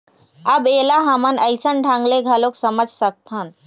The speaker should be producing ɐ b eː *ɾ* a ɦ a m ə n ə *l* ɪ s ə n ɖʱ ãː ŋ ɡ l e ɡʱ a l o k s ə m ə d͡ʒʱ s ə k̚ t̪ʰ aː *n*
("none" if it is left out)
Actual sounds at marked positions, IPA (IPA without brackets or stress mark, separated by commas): l, none, n